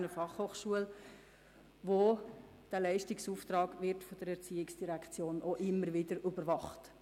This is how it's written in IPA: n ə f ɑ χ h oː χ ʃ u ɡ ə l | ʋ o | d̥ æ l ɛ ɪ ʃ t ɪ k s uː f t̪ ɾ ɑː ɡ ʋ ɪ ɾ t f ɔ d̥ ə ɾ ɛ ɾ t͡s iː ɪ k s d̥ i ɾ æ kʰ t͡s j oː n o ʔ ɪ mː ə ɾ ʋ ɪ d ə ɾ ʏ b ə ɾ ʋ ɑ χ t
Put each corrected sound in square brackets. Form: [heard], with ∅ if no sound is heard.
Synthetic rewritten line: n ə f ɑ χ h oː χ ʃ u [∅] ə l | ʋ o | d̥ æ l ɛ ɪ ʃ t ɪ k s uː f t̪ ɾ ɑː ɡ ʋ ɪ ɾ t f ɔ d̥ ə ɾ ɛ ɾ t͡s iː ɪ k s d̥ i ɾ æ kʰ t͡s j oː n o ʔ ɪ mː ə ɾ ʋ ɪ d ə ɾ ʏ b ə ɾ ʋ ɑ χ t